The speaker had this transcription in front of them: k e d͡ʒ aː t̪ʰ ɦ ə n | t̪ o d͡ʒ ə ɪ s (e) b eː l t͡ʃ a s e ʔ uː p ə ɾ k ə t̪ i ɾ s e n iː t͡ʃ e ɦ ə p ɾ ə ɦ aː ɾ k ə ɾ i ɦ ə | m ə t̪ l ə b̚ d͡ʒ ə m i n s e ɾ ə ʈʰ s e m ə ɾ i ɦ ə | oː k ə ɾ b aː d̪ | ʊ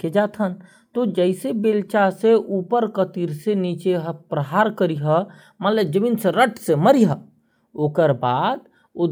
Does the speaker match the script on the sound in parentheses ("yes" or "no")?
yes